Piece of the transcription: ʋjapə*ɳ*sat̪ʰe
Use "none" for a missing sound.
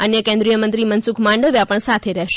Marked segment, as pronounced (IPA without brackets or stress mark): ɳ